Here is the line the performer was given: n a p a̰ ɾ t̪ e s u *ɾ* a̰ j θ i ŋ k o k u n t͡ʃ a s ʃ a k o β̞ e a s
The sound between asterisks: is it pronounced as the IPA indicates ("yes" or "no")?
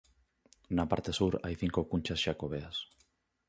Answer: yes